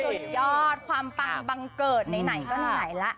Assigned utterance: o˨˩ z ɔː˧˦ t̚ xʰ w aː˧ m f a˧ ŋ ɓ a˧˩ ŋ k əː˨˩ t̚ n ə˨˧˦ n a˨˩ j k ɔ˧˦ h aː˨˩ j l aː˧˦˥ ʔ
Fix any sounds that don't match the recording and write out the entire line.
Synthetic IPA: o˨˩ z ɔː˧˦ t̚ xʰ w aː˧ m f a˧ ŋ ɓ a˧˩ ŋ k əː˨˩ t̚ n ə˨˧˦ n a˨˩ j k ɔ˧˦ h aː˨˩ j l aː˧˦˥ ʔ